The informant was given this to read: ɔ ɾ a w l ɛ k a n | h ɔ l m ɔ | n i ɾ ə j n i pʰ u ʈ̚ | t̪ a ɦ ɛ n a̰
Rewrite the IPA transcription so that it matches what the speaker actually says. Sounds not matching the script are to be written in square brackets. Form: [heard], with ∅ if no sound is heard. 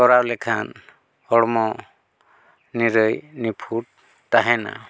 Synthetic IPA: ɔ ɾ a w l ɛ [kʰ] a n | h ɔ [ɽ] m ɔ | n i ɾ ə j n i pʰ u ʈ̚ | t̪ a ɦ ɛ n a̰